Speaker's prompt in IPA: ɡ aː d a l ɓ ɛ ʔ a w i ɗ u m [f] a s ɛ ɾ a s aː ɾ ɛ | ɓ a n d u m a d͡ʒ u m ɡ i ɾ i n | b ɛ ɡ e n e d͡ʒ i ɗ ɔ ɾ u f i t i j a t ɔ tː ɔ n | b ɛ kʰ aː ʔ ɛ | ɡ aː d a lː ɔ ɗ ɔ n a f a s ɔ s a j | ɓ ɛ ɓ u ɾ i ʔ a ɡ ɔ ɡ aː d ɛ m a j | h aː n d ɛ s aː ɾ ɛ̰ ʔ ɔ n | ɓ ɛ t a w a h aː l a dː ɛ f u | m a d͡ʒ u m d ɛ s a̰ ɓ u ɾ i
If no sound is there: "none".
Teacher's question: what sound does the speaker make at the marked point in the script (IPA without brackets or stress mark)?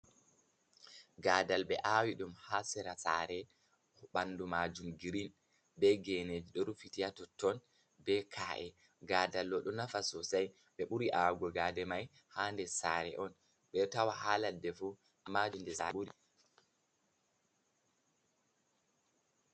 h